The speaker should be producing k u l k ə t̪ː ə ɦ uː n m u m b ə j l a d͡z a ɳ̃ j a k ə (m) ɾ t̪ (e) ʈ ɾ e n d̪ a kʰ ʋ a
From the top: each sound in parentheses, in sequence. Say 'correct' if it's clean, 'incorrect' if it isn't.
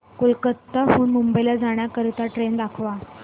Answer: incorrect: none, incorrect: a

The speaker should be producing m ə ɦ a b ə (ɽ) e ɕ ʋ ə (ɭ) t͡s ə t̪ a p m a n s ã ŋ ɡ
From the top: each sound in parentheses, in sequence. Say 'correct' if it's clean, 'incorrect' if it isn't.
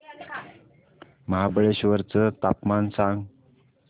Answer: incorrect: ɭ, incorrect: ɾ

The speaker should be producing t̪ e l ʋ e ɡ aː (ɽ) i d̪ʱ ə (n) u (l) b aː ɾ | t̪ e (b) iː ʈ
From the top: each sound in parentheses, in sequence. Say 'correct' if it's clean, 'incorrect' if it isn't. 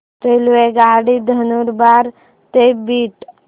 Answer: correct, correct, incorrect: ɾ, correct

